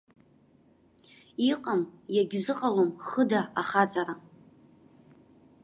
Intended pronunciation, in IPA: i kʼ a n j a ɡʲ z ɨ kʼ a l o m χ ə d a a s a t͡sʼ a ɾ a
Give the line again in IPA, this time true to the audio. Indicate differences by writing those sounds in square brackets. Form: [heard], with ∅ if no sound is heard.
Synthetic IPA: i [qʼ] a [m] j a ɡʲ z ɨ [qʼ] a l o m χ ə d a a [χ] a t͡sʼ a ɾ a